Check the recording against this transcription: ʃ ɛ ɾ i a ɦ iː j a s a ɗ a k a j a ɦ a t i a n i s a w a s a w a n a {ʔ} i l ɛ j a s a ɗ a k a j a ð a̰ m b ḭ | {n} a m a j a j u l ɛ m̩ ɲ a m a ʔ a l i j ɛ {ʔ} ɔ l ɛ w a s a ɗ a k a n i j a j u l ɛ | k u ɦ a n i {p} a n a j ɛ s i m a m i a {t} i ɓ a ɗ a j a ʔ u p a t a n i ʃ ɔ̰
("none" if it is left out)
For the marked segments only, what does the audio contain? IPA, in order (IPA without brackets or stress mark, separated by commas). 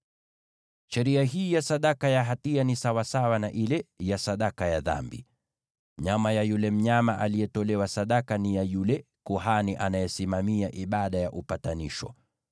ʔ, ɲ, t, ʔ, ʔ